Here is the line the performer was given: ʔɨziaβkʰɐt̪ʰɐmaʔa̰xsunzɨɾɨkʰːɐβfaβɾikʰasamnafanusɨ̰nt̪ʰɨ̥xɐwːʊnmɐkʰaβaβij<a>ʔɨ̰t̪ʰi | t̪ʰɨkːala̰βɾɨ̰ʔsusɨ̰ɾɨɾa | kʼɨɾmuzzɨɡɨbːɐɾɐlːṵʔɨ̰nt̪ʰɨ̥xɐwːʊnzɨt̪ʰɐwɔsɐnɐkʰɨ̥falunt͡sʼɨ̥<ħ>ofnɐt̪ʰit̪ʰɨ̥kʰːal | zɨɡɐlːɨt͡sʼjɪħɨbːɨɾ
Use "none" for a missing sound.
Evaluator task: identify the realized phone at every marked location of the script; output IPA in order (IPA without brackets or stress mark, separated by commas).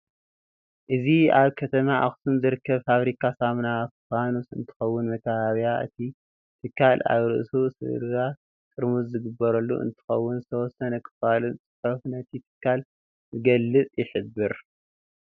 a, ħ